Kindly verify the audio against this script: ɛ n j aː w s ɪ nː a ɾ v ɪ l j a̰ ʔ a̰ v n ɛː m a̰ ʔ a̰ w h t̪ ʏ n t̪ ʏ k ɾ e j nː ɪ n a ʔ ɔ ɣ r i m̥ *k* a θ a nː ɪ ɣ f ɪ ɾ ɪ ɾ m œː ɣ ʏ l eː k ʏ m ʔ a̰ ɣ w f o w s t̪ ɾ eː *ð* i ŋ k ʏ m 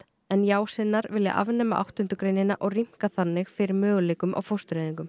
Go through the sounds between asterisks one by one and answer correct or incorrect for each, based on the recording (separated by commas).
correct, correct